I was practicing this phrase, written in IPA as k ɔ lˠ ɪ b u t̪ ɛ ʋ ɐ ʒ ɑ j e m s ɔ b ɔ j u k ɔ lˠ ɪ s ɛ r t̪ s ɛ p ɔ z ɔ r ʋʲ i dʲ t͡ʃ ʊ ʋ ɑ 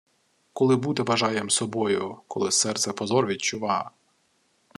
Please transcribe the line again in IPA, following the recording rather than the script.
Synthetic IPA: k ɔ lˠ ɪ b u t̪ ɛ ʋ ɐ ʒ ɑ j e m s ɔ b ɔ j ʊ k ɔ lˠ ɪ s ɛ r t̪ s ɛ p ɔ z ɔ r ʋʲ i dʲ t͡ʃ ʊ ʋ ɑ

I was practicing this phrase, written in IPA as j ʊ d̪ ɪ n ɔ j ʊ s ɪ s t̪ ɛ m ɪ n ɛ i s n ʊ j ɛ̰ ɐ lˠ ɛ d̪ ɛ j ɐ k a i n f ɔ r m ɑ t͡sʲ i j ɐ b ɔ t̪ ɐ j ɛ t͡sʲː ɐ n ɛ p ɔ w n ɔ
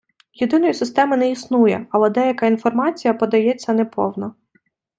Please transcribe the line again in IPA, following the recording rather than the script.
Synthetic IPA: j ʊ d̪ ɪ n ɔ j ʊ s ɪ s t̪ ɛ m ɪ n ɛ i s n u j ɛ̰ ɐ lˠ ɛ d̪ ɛ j ɐ k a i n f ɔ r m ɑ t͡sʲ i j ɐ p ɔ d̪ ɐ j ɛ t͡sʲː ɐ n ɛ p ɔ w n ɔ

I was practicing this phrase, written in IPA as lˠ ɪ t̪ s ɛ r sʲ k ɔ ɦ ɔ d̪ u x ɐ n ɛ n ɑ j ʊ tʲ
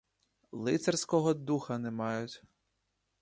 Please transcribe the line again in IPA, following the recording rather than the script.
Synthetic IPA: lˠ ɪ t̪ s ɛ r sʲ k ɔ ɦ ɔ d̪ u x ɐ n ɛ m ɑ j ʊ tʲ

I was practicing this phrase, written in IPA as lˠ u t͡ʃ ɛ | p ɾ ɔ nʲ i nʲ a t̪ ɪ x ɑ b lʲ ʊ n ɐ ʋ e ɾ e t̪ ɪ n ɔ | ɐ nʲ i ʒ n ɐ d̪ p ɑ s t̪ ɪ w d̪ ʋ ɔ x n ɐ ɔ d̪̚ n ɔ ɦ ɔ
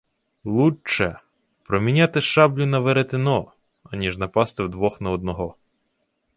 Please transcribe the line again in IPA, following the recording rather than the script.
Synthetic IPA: lˠ u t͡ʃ ɛ | p ɾ ɔ mʲ i nʲ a t̪ ɪ ʃ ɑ b lʲ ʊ n ɐ ʋ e ɾ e t̪ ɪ n ɔ | ɐ nʲ i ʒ n ɐ p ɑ s t̪ ɪ w d̪ ʋ ɔ x n ɐ ɔ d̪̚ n ɔ ɦ ɔ

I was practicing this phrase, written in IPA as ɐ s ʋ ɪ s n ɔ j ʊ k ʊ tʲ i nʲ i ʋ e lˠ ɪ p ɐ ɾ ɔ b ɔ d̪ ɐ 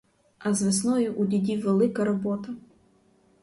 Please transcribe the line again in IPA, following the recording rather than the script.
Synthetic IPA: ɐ z ʋ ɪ s n ɔ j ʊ ʔ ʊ dʲ i dʲ i ʋ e lˠ ɪ k ɐ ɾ ɔ b ɔ t̪ ɐ

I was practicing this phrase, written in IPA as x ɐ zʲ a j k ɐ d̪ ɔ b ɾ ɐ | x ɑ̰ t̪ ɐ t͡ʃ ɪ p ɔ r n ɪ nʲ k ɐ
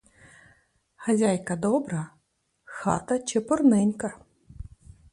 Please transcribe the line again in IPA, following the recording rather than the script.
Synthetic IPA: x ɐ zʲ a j k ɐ d̪ ɔ b ɾ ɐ | x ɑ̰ t̪ ɐ t͡ʃ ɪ p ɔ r n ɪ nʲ k ɐ

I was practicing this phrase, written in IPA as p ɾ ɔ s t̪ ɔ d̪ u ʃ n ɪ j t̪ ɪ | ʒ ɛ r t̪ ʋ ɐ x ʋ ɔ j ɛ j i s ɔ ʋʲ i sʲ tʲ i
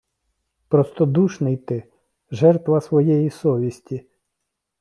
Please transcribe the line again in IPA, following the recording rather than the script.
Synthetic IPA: p ɾ ɔ s t̪ ɔ d̪ u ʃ n ɪ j t̪ ɪ | ʒ ɛ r t̪ ʋ ɐ s ʋ ɔ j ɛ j i s ɔ ʋʲ i sʲ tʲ i

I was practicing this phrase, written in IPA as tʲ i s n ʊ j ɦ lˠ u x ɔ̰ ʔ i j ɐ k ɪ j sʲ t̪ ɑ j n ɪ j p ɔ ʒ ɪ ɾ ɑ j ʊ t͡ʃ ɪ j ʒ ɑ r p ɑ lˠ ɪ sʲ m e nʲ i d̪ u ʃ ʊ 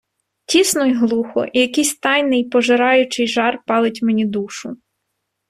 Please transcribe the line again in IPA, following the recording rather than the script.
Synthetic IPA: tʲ i s n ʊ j ɦ lˠ u x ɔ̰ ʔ i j ɐ k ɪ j sʲ t̪ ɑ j n ɪ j p ɔ ʒ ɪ ɾ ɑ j ʊ t͡ʃ ɪ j ʒ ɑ r p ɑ lˠ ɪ tʲ m e nʲ i d̪ u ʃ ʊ

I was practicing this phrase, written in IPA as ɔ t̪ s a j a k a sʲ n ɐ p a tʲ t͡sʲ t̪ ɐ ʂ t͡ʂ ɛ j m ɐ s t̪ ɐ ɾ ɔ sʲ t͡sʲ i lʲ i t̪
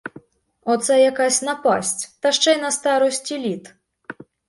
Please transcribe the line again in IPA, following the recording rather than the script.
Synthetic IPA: ɔ t̪ s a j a k a sʲ n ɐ p a sʲ t͡sʲ t̪ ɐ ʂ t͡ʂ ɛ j n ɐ s t̪ a ɾ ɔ sʲ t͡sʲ i lʲ i t̪

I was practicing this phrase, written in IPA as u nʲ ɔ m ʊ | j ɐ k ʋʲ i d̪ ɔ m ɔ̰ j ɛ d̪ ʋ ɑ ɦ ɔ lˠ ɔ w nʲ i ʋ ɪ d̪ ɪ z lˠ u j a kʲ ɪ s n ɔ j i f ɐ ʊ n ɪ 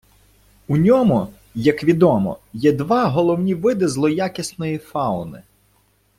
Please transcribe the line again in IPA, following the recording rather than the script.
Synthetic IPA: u nʲ ɔ m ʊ | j ɐ k ʋʲ i d̪ ɔ m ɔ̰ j ɛ d̪ ʋ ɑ ɦ ɔ lˠ ɔ w nʲ i ʋ ɪ d̪ ɪ z lˠ ɔ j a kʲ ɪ s n ɔ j i f ɑ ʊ n ɪ

